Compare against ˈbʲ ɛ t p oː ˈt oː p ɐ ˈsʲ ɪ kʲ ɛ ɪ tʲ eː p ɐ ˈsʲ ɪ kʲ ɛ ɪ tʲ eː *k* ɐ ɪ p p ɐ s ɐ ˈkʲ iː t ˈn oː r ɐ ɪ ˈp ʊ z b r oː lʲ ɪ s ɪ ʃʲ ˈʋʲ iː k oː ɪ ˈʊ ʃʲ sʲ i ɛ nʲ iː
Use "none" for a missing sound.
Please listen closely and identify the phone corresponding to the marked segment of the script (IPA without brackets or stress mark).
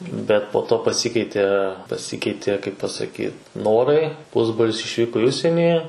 k